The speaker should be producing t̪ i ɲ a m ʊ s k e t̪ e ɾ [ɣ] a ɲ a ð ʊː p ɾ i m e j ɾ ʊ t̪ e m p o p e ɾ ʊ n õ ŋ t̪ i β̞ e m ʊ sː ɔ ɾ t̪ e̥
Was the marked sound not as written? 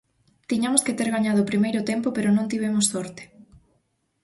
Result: no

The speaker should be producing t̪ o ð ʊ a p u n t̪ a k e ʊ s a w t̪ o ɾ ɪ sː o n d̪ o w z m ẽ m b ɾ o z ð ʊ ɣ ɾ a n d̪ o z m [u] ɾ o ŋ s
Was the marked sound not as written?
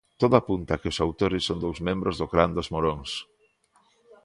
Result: yes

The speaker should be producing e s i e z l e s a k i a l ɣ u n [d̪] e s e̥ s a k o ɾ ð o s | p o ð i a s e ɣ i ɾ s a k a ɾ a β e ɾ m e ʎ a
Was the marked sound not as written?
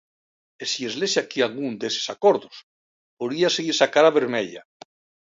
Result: no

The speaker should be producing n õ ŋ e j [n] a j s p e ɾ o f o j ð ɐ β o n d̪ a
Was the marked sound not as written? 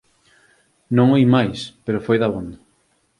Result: yes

